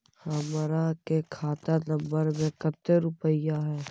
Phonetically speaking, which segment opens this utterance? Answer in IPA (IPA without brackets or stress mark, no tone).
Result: h